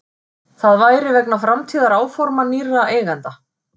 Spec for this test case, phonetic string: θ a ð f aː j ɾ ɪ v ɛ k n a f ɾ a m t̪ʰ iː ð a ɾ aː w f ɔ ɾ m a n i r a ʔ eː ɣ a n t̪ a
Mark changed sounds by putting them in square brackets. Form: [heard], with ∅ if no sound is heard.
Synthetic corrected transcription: θ a ð [v] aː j ɾ ɪ v ɛ k n a f ɾ a m t̪ʰ iː ð a ɾ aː w f ɔ ɾ m a n i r a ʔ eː ɣ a n t̪ a

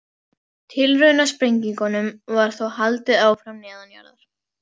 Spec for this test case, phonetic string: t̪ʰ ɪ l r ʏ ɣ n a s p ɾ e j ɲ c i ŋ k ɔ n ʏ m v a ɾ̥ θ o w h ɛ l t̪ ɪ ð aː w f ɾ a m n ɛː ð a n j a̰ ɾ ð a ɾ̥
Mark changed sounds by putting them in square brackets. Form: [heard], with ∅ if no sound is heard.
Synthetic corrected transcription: t̪ʰ ɪ l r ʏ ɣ n a s p ɾ e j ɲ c i ŋ k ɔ n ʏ m v a ɾ̥ θ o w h [a] l t̪ ɪ ð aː w f ɾ a m n ɛː ð a n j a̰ ɾ ð a ɾ̥

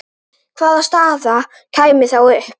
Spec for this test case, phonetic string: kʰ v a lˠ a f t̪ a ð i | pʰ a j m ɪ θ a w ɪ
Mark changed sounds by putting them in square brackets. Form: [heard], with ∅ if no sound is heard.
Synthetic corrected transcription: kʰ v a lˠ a [s] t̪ a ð [a] | [kʰ] a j m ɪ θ a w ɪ

